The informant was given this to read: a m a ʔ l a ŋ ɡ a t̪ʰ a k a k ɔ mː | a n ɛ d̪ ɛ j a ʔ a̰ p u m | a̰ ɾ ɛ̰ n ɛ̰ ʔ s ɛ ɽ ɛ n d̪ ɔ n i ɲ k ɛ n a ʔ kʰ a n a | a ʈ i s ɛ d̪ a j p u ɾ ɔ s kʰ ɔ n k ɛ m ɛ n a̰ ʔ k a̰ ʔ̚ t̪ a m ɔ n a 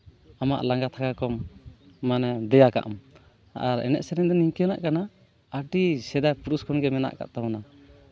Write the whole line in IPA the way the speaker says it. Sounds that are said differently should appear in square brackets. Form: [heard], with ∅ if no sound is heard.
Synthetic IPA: a m a ʔ l a ŋ ɡ a t̪ʰ a k a k ɔ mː | a n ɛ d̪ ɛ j a [k] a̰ [ʔ] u m | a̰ ɾ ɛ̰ n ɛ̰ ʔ s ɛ [ɾ] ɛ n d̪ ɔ n i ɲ k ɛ n a ʔ [k] a n a | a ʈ i s ɛ d̪ a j p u ɾ [u] s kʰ ɔ n [ɡ] ɛ m ɛ n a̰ ʔ k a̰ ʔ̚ t̪ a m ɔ n a